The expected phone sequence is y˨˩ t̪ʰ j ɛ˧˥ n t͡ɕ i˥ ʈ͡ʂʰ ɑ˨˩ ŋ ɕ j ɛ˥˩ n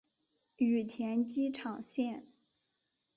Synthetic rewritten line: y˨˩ t̪ʰ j ɛ˧˥ n t͡ɕ i˥ ʈ͡ʂʰ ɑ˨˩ ŋ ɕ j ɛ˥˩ n